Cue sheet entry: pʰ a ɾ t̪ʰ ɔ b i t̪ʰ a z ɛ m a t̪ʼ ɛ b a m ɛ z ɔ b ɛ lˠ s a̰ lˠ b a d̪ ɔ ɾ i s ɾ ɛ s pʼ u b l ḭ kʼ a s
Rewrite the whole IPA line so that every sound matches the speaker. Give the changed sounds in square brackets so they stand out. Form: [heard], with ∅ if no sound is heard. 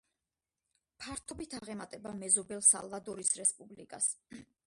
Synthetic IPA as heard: pʰ a ɾ t̪ʰ ɔ b i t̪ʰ a [ʁ] ɛ m a t̪ʼ ɛ b a m ɛ z ɔ b ɛ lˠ s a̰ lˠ [v] a d̪ ɔ ɾ i s ɾ ɛ s pʼ u b l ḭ kʼ a s